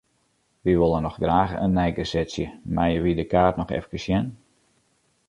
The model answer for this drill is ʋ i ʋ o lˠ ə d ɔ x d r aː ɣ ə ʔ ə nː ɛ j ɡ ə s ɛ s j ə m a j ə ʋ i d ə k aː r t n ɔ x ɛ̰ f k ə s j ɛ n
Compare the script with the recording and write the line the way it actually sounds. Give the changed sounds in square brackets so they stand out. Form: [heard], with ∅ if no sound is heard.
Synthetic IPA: ʋ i ʋ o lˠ ə [n] ɔ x d r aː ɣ ə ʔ ə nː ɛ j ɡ ə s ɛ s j ə m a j ə ʋ i d ə k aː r t n ɔ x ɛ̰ f k ə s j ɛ n